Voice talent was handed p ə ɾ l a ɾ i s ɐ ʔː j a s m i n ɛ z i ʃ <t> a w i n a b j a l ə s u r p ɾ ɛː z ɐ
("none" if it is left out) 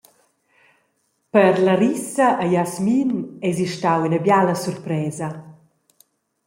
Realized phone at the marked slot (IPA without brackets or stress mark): t